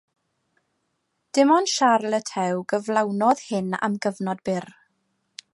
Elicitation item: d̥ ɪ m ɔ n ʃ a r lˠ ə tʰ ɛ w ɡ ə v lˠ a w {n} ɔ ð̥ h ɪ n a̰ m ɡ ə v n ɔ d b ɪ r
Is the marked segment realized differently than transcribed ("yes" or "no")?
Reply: no